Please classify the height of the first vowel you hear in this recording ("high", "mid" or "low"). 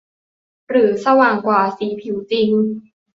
high